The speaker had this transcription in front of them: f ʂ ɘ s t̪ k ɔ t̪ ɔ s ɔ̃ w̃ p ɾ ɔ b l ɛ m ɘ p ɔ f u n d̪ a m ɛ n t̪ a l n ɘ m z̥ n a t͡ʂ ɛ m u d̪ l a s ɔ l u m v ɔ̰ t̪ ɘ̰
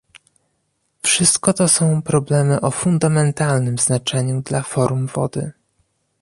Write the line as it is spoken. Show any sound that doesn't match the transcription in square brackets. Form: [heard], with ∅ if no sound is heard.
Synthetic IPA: f ʂ ɘ s t̪ k ɔ t̪ ɔ s ɔ̃ w̃ p ɾ ɔ b l ɛ m ɘ [ʔ] ɔ f u n d̪ a m ɛ n t̪ a l n ɘ m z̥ n a t͡ʂ ɛ [ɲ] u d̪ l a [f] ɔ [ɾ] u m v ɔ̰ [d̪] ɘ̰